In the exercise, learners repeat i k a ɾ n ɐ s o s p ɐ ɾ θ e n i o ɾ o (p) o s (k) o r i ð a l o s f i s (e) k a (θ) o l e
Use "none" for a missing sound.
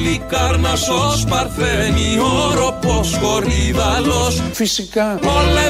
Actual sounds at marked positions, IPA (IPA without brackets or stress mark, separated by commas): p, k, i, none